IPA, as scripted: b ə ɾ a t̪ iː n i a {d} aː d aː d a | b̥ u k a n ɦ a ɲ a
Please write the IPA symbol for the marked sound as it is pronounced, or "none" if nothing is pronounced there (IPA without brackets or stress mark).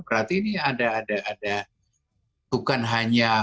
d